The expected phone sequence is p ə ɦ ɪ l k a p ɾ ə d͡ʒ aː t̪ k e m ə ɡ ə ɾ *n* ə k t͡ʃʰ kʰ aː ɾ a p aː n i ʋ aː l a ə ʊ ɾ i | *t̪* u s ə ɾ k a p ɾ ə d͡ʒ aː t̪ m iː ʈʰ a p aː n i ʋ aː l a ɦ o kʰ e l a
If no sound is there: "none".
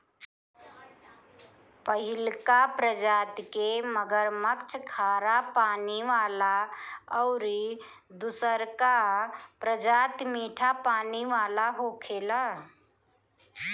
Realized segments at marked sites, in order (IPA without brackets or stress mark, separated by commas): m, d̪